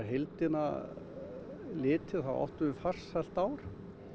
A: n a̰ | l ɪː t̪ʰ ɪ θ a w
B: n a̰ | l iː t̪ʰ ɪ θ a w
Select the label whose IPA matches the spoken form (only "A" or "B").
A